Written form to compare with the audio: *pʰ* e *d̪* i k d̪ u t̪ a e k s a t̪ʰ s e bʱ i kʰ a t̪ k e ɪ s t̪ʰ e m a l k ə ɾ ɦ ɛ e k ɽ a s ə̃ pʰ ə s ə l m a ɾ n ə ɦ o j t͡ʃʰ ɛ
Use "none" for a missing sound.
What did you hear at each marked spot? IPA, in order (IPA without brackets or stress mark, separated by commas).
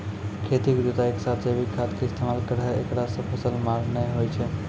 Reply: kʰ, t̪